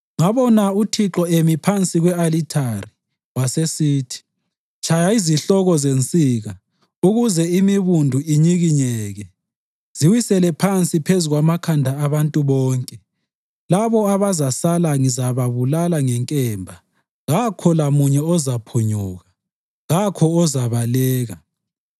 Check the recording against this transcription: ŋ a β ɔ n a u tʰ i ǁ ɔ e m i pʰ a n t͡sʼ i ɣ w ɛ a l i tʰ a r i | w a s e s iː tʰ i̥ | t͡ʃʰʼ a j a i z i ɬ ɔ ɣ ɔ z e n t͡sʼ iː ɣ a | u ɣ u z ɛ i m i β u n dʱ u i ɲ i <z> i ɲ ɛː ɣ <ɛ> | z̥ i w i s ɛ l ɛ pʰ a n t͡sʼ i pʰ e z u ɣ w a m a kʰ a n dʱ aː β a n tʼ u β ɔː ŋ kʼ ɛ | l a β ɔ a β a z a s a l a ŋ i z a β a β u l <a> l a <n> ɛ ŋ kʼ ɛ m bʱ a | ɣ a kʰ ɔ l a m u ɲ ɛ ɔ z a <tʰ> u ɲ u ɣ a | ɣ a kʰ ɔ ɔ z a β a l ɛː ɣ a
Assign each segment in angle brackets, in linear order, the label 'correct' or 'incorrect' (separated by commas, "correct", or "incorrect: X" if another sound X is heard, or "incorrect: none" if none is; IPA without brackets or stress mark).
incorrect: ɣ, correct, correct, incorrect: ŋ, incorrect: pʰ